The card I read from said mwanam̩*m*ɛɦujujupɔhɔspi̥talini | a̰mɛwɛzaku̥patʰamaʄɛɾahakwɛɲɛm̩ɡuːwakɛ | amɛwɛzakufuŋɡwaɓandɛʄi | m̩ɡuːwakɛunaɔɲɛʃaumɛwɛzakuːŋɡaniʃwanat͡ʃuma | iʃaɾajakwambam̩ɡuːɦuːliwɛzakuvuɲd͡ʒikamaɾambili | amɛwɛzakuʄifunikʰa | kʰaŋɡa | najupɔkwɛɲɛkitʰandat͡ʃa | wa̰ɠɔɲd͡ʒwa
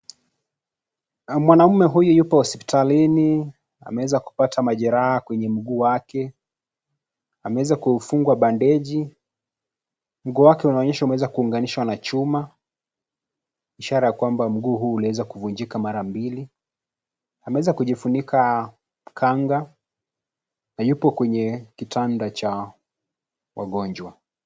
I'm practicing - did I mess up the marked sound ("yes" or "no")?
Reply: no